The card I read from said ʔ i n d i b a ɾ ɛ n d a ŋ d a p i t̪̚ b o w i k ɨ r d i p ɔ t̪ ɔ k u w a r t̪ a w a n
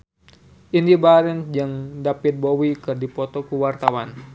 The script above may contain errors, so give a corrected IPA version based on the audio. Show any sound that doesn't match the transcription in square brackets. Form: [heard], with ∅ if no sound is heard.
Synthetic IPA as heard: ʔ i n d i b a ɾ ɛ n [d͡ʒ] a ŋ d a p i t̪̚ b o w i k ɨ r d i p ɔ t̪ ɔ k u w a r t̪ a w a n